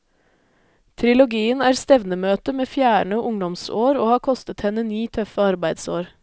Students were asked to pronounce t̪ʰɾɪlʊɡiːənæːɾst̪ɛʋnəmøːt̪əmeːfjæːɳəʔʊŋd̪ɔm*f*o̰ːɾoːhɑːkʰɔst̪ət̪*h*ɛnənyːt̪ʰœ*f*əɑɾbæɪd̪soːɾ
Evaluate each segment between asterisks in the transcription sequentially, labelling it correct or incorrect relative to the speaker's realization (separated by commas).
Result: incorrect, correct, correct